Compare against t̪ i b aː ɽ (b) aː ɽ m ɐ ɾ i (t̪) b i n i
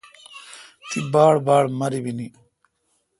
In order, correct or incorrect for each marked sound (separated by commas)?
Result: correct, incorrect